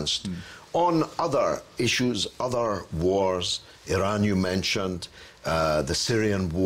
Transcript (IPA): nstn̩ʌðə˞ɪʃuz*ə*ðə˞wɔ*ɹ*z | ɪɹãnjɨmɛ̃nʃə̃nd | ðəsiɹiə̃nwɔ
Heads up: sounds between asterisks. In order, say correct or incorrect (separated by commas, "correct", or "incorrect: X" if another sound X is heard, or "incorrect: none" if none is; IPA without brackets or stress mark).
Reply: incorrect: ʌ, correct